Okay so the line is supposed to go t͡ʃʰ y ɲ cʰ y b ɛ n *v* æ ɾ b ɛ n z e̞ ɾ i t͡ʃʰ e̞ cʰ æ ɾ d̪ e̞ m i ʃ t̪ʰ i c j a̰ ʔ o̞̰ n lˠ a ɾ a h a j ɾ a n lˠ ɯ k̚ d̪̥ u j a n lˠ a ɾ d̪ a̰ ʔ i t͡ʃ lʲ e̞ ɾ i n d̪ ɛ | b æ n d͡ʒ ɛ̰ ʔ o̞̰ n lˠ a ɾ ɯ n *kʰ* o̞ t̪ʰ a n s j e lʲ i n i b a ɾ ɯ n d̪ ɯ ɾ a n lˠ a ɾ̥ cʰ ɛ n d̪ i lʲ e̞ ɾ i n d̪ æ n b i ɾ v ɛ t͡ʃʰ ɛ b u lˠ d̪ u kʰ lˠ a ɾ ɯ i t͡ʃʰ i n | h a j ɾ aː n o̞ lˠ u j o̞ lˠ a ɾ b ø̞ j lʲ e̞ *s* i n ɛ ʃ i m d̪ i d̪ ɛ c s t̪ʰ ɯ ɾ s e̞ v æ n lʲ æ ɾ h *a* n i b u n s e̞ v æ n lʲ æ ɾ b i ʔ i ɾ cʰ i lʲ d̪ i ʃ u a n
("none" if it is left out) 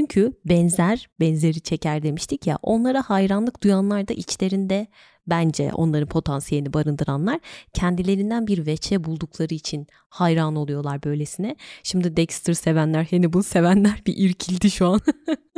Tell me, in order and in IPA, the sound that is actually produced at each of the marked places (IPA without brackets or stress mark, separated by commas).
z, pʰ, s, e